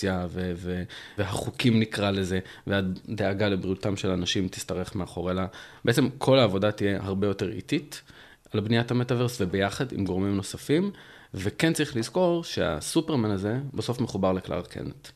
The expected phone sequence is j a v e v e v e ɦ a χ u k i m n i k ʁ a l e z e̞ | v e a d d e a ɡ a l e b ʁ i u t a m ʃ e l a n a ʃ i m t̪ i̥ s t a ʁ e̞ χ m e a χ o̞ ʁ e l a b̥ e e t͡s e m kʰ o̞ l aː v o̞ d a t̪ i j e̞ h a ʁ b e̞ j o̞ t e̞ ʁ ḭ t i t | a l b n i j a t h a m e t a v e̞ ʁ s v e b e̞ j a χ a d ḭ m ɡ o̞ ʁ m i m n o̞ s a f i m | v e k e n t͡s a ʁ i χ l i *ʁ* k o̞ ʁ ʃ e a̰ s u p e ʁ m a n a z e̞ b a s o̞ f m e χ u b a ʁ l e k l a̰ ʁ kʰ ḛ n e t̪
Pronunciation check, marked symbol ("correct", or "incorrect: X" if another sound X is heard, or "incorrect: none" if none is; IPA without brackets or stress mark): incorrect: z